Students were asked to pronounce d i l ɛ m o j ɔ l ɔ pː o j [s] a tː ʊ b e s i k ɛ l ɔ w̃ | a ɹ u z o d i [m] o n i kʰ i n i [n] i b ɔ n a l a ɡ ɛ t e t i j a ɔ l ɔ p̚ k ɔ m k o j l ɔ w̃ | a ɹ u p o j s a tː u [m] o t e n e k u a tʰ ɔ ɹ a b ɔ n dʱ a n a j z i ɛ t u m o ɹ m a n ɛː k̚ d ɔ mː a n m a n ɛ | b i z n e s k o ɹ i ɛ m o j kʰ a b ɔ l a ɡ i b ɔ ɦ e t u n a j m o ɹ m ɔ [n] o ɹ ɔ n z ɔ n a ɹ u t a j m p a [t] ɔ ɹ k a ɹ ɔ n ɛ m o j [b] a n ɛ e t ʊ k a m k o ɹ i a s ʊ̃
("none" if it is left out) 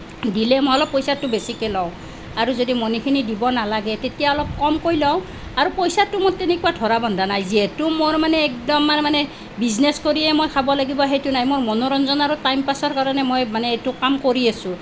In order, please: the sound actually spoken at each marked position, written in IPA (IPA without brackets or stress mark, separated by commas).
s, m, d, m, n, s, m